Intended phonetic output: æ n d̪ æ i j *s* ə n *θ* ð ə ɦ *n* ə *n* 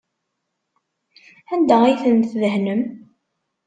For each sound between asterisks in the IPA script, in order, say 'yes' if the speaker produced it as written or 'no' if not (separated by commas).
no, yes, yes, no